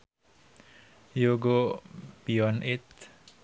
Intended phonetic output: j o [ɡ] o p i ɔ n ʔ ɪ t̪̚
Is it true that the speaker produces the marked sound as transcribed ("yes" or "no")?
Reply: yes